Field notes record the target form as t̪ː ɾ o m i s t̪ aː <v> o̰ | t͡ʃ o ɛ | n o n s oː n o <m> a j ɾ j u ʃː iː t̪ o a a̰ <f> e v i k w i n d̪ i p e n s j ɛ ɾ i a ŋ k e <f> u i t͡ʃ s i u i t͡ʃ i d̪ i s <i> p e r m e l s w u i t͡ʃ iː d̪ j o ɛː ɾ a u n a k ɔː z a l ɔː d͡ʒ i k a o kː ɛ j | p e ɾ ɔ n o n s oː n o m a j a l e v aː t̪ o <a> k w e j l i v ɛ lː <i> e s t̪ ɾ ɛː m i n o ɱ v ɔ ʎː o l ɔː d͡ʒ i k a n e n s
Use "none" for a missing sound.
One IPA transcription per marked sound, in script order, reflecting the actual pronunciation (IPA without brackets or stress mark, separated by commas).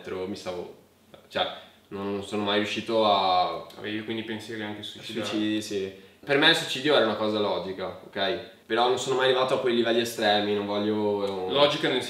v, m, v, s, i, a, i